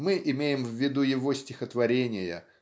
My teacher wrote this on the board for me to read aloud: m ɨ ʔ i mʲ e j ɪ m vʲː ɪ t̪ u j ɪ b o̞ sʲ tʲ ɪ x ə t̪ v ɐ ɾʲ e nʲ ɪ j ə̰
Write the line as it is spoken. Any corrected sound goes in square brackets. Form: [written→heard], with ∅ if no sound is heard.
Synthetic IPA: m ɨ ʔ [i→ɪ] mʲ e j ɪ m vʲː ɪ [t̪→d̪] u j ɪ [b→v] o̞ sʲ tʲ ɪ x ə t̪ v ɐ ɾʲ e nʲ ɪ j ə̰